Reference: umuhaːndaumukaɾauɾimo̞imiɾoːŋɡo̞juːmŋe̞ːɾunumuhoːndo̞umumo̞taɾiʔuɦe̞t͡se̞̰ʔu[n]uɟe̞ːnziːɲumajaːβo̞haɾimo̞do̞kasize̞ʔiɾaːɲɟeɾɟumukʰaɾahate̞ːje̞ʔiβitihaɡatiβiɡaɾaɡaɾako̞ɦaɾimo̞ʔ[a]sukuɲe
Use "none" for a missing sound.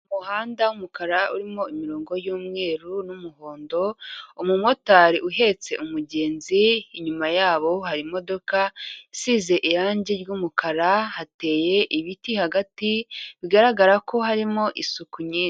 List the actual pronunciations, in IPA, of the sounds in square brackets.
m, i

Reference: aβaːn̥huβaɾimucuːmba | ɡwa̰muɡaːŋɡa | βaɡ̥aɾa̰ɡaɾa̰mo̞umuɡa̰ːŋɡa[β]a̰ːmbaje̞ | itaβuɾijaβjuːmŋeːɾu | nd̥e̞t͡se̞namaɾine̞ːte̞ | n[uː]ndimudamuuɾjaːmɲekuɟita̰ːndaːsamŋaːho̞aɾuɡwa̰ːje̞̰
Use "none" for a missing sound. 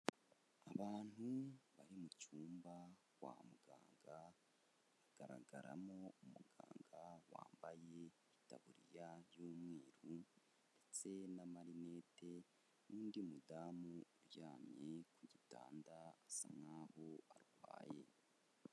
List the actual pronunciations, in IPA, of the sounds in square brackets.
w, uː

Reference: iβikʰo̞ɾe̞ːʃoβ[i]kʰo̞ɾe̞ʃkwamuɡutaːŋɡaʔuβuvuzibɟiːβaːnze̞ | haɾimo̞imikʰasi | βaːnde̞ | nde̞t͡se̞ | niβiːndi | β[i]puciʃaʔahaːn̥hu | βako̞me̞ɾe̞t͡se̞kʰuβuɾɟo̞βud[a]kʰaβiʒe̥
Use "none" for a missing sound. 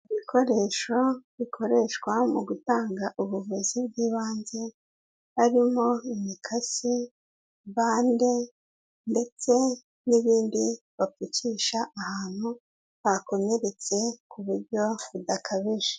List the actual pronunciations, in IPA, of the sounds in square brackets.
i, a, a

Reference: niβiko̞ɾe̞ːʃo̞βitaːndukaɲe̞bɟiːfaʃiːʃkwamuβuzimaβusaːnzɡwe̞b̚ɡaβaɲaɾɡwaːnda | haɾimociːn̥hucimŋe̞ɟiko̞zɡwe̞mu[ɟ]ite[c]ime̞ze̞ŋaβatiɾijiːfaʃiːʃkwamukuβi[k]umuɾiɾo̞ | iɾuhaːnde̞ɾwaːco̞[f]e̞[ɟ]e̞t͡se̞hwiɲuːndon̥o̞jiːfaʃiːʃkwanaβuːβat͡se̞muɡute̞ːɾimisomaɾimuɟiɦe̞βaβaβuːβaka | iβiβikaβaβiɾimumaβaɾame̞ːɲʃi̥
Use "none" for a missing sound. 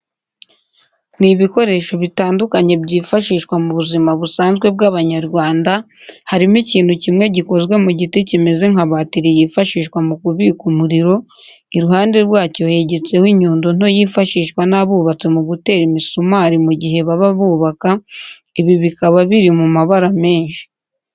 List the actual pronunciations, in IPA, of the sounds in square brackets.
ɟ, c, k, h, ɟ

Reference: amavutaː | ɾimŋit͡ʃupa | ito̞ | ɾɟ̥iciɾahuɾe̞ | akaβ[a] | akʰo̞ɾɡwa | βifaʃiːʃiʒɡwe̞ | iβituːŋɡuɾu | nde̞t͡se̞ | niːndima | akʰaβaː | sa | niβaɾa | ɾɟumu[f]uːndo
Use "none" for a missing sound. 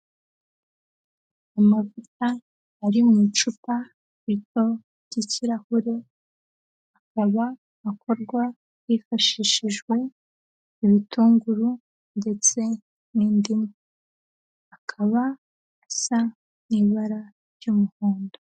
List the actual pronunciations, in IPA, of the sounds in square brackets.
a, h

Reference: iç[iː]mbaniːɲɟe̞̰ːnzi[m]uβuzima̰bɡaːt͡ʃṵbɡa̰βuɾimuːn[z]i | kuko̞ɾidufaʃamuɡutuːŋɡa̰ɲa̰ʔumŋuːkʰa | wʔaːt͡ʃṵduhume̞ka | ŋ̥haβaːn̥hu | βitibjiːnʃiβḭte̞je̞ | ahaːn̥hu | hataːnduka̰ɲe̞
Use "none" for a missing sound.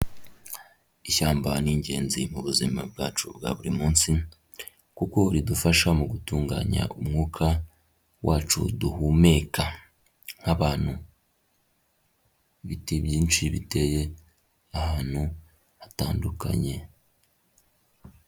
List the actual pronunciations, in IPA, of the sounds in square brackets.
aː, m, s

